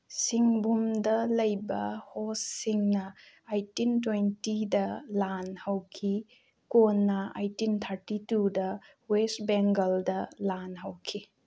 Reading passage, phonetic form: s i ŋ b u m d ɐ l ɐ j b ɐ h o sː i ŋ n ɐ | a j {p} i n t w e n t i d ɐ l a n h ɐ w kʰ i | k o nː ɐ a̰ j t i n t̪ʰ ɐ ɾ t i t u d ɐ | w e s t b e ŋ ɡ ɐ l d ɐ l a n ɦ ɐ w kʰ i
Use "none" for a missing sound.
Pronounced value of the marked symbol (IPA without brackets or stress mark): t